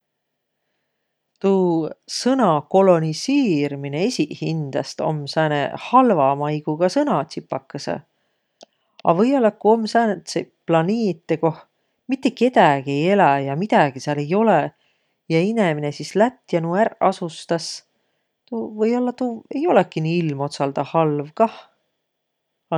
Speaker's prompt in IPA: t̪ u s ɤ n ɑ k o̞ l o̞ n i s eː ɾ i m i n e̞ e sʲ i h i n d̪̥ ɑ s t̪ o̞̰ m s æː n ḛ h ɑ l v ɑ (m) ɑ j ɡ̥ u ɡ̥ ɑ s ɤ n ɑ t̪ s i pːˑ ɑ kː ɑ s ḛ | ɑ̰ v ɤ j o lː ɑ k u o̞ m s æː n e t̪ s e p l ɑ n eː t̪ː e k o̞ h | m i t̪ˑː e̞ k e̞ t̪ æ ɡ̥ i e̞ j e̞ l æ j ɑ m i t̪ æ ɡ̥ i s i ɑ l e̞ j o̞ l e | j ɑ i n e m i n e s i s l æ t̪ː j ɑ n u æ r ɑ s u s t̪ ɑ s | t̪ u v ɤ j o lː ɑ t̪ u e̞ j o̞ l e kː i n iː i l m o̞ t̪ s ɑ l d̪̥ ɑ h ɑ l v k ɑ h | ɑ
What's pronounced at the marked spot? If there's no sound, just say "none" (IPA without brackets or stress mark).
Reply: m